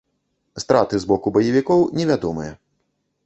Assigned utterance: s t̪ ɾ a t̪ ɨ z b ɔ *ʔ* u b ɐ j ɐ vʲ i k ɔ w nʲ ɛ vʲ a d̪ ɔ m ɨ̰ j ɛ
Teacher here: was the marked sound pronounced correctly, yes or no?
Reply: no